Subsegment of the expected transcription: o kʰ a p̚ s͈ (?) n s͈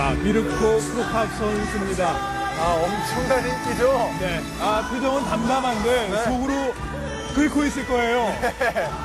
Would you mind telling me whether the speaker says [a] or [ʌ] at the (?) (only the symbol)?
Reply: ʌ